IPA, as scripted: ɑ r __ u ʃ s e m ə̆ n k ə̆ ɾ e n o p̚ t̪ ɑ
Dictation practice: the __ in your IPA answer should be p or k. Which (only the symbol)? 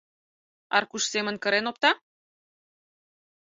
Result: k